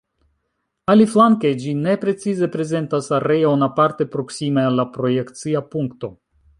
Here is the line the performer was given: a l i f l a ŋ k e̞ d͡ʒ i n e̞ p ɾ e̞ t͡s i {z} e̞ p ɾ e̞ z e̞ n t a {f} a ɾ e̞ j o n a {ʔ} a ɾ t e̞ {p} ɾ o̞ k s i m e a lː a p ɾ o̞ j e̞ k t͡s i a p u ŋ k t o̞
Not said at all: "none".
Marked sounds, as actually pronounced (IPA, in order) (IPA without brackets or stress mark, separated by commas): z, s, p, p